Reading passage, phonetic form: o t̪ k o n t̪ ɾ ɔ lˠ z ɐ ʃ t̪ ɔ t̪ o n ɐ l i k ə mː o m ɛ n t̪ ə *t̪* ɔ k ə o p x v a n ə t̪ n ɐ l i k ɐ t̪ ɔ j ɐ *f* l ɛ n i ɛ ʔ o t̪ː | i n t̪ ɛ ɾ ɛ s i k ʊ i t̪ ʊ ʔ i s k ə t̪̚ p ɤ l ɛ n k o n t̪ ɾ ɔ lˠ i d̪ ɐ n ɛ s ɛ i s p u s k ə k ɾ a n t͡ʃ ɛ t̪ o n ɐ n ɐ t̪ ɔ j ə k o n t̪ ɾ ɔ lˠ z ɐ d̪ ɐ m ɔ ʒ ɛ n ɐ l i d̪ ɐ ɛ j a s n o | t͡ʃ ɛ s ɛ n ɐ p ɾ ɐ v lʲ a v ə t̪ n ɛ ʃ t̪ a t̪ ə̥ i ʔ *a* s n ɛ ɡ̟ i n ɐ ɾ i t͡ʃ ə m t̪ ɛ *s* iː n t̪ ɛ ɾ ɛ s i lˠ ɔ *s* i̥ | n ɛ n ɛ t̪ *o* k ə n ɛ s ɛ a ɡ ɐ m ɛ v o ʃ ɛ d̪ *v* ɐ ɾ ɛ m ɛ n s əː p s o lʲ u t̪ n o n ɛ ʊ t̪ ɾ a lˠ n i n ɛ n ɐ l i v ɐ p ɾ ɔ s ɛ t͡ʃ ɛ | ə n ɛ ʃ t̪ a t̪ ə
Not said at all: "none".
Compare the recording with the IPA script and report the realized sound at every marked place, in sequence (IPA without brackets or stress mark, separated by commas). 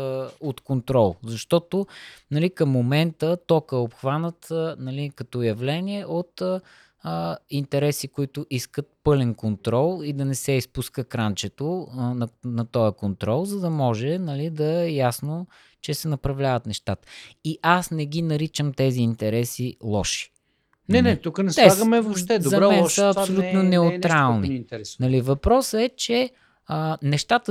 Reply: t̪, v, a, z, ʃ, u, z